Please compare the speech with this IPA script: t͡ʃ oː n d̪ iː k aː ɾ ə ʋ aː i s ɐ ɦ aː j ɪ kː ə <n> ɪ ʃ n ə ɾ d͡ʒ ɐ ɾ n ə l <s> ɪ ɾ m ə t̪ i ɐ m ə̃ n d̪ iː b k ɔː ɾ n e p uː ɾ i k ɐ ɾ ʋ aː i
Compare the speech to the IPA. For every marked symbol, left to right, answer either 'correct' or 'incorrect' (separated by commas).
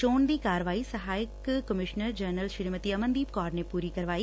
incorrect, incorrect